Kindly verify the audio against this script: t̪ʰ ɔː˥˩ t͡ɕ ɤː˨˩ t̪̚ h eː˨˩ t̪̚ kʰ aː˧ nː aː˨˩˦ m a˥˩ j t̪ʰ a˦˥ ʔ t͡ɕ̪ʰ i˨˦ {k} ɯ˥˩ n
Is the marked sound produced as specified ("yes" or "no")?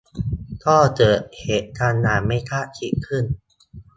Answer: no